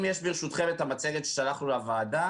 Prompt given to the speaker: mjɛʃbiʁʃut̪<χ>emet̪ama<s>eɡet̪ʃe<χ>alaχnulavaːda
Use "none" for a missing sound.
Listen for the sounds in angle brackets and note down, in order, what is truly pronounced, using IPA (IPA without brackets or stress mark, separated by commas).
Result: χ, t͡s, ʃ